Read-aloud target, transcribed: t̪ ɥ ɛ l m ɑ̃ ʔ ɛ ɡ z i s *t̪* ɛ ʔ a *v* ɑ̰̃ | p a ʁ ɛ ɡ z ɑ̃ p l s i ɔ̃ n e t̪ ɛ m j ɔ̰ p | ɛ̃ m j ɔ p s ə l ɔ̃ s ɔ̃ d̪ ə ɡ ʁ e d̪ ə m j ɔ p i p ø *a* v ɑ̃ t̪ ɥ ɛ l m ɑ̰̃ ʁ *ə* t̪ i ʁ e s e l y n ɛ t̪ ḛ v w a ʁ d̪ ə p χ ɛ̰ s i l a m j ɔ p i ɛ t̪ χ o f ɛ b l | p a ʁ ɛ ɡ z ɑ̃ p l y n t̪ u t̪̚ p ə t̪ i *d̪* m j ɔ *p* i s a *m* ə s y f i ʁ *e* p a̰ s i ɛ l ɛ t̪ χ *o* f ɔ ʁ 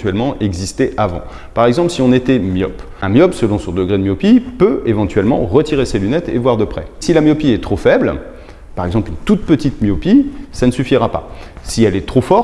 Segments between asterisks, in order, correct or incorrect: correct, correct, incorrect: e, correct, incorrect: t̪, correct, incorrect: n, incorrect: a, correct

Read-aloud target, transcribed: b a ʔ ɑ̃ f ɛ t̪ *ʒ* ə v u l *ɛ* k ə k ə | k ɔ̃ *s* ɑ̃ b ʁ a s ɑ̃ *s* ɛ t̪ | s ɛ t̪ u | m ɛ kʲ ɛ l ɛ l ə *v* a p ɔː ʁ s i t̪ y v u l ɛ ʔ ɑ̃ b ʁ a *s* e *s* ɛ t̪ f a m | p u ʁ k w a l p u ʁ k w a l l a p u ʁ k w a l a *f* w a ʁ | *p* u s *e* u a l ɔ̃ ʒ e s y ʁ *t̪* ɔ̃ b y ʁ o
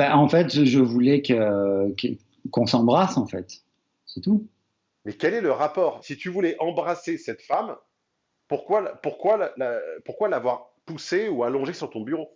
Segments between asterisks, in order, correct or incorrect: correct, correct, correct, incorrect: f, incorrect: ʁ, correct, correct, incorrect: v, correct, correct, correct

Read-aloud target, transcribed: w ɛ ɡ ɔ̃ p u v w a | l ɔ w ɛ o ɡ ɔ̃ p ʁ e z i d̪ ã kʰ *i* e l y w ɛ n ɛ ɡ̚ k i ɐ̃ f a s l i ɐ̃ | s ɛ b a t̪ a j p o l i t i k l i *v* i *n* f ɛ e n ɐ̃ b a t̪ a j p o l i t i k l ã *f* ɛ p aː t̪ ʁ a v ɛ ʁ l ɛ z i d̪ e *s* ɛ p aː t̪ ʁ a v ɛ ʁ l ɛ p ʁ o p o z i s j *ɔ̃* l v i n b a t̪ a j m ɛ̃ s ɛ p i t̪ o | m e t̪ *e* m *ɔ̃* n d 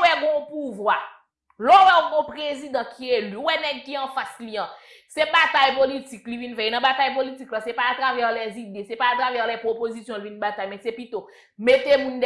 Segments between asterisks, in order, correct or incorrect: correct, correct, correct, incorrect: s, correct, correct, correct, incorrect: ũ

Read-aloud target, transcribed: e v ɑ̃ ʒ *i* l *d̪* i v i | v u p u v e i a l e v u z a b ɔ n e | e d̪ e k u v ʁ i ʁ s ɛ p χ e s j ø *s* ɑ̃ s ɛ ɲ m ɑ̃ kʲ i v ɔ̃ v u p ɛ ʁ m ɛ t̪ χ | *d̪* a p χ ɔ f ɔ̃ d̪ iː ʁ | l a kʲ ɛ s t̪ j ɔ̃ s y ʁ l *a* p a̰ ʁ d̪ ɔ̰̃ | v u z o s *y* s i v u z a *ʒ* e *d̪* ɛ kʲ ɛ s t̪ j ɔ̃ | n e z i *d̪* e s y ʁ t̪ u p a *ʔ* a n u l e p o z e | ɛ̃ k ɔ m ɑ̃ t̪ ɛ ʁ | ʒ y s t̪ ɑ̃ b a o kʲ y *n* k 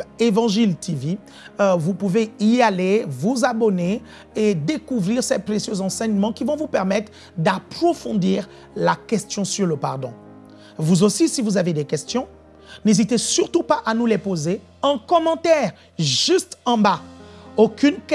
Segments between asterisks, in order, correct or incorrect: correct, incorrect: t̪, incorrect: z, correct, incorrect: ə, incorrect: i, incorrect: v, correct, incorrect: t̪, correct, correct

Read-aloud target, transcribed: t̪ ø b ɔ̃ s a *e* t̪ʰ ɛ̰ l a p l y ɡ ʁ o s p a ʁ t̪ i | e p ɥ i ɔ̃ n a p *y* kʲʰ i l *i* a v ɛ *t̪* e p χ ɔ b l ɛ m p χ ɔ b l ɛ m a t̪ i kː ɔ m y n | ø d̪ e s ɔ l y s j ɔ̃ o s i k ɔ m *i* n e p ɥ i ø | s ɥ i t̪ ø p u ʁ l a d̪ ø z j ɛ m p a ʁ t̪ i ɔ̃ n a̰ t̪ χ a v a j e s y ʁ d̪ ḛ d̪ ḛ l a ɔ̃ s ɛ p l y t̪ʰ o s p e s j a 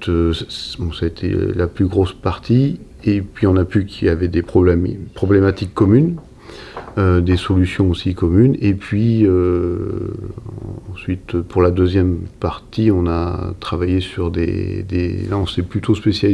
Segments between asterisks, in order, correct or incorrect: correct, correct, incorrect: j, incorrect: d̪, incorrect: y

